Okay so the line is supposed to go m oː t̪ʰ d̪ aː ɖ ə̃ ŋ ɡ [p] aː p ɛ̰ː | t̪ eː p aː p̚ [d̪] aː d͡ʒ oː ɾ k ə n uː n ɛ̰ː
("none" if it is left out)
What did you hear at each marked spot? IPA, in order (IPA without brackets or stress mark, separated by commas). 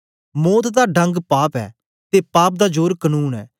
p, d̪